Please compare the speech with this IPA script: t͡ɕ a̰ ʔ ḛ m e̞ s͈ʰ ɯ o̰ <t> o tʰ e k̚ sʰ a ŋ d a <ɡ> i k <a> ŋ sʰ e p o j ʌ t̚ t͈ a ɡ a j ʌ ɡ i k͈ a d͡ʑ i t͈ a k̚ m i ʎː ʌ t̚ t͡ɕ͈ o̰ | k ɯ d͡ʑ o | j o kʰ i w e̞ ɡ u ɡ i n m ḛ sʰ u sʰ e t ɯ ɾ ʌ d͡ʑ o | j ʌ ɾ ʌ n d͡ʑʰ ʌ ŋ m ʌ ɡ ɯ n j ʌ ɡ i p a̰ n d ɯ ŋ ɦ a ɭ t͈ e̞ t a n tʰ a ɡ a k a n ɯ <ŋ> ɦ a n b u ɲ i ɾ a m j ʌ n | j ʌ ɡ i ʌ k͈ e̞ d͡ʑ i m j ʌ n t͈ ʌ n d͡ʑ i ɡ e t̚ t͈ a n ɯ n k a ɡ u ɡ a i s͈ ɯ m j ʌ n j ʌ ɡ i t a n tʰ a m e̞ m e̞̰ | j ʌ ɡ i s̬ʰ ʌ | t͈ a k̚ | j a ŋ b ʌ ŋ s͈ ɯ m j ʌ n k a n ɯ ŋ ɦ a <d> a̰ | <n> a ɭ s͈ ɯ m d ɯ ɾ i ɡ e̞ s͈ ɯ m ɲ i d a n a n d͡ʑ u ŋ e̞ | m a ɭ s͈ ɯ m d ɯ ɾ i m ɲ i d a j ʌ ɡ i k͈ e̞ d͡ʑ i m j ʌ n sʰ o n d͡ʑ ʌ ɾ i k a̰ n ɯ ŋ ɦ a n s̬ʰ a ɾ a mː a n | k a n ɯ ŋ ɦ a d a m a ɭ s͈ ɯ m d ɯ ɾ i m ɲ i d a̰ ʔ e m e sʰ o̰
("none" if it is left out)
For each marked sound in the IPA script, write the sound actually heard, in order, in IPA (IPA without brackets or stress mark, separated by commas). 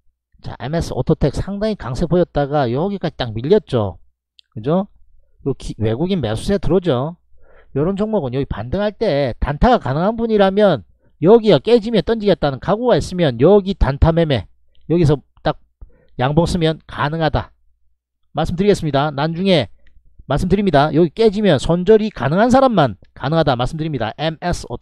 tʰ, ŋ, a, ŋ, d, m